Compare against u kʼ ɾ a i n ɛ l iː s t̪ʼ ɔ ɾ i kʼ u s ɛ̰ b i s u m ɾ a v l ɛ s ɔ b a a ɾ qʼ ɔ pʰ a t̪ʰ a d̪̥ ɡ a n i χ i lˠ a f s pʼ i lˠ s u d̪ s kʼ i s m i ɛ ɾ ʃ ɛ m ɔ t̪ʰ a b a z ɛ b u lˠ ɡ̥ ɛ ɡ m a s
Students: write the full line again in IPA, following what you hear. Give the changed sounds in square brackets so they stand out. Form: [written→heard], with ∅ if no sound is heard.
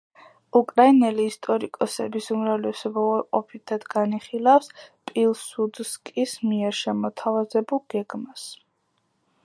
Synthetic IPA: u kʼ ɾ a i n ɛ l iː s t̪ʼ ɔ ɾ i kʼ [u→ɔ] s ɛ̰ b i s u m ɾ a v l ɛ s ɔ b a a ɾ qʼ ɔ pʰ [a→i] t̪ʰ a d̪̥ ɡ a n i χ i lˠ a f s pʼ i lˠ s u d̪ s kʼ i s m i ɛ ɾ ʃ ɛ m ɔ t̪ʰ a [b→v] a z ɛ b u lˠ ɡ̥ ɛ ɡ m a s